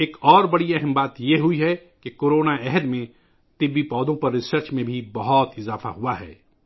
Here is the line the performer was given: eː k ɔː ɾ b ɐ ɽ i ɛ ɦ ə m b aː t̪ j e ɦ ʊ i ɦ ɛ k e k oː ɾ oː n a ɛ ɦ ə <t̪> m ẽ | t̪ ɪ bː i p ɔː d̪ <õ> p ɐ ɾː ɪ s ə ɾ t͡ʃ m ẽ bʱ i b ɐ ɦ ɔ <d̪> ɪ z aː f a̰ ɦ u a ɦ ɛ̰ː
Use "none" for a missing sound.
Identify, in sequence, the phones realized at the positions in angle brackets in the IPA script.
d̪, õ, t̪

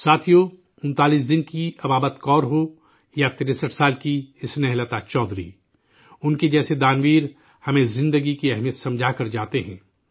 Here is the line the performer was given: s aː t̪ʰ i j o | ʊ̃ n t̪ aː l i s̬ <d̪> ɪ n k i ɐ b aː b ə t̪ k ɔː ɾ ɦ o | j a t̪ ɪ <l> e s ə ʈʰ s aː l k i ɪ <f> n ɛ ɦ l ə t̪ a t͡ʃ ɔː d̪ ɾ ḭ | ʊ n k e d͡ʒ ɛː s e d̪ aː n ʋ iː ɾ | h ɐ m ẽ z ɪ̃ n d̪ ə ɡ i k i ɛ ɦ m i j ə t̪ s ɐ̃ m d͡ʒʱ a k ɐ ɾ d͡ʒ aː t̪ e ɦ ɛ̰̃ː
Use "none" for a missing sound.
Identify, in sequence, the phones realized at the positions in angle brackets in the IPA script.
d̪, ɾ, s

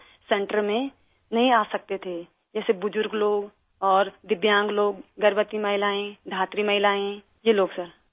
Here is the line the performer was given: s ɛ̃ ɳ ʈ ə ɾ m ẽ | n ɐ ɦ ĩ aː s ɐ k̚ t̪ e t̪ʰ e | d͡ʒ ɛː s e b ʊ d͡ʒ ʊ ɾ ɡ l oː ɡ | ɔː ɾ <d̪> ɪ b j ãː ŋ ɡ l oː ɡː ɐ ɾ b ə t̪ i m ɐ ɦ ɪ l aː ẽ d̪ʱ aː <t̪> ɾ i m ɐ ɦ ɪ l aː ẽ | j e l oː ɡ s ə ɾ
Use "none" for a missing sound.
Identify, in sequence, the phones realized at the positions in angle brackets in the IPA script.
d̪, t̪

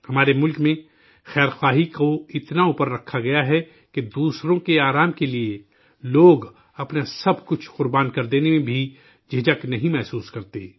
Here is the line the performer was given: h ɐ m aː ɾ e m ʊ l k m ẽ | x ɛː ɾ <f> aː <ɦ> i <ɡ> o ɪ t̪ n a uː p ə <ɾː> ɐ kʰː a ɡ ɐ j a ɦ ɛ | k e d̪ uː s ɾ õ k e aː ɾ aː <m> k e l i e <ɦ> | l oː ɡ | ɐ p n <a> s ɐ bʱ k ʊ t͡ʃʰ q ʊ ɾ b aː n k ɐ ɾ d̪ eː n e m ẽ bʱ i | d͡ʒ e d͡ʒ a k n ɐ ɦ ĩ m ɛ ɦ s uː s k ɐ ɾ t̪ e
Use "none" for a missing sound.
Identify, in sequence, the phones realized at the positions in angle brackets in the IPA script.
x, ɦ, k, ɾː, m, none, a

